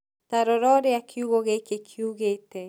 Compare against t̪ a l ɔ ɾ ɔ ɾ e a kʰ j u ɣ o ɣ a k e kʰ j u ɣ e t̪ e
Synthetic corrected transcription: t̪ a ɾ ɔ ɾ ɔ ɾ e a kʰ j u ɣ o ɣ e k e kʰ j u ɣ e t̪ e